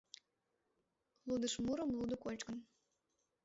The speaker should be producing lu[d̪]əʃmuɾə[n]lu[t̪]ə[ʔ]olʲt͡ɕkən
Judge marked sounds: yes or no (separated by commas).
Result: yes, no, no, no